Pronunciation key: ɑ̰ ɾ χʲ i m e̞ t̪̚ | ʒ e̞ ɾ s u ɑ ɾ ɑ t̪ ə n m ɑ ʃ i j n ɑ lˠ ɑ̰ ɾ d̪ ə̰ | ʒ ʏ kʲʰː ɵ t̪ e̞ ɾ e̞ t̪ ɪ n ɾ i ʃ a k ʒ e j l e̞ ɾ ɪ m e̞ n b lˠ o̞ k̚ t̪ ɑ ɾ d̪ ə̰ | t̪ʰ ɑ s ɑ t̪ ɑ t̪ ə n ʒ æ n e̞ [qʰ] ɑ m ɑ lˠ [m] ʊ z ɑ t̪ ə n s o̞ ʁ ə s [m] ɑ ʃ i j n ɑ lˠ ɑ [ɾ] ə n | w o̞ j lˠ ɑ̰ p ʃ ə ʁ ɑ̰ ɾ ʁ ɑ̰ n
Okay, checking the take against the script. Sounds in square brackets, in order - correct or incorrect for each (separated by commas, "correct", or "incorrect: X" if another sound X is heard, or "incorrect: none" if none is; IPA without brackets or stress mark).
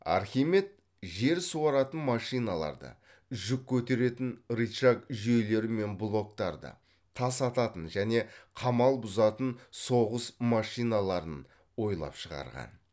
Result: correct, incorrect: b, correct, correct